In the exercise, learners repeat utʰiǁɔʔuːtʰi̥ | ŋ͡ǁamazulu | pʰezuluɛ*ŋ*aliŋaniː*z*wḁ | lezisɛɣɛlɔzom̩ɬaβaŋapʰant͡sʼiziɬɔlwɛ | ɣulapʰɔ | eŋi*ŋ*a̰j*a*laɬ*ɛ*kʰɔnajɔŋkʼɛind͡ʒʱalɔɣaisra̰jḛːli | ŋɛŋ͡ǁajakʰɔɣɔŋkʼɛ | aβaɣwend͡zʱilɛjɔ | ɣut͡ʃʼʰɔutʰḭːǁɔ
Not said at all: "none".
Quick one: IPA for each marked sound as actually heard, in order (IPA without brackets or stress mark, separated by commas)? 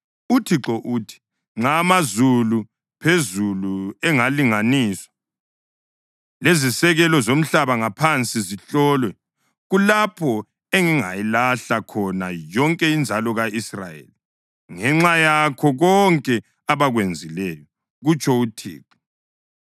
ŋ, s, ŋ, i, a